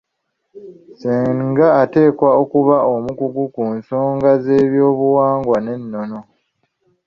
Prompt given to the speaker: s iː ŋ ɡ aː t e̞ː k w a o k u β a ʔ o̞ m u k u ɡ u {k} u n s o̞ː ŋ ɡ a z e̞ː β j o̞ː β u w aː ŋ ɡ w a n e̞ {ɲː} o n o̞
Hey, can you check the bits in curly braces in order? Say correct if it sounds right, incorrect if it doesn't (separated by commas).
correct, incorrect